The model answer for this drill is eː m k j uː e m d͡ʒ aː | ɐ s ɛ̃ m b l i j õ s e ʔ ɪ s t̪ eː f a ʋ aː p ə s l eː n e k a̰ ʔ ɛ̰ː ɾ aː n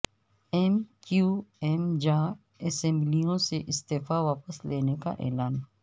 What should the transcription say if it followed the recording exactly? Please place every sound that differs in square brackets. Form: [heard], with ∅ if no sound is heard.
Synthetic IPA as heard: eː m k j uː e m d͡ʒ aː | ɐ s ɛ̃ m b l i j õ s e ʔ ɪ s t̪ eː f a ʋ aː p ə s l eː n e k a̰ ʔ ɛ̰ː [l] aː n